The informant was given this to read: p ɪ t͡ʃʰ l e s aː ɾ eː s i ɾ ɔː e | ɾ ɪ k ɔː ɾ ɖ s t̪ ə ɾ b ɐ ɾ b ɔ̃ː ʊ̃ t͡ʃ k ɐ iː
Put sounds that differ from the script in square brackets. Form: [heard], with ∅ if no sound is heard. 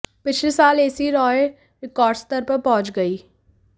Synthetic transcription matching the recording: p ɪ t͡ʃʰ l e s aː [l] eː s i ɾ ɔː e | ɾ ɪ k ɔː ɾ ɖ s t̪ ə ɾ [p] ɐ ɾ [p] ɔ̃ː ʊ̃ t͡ʃ [ɡ] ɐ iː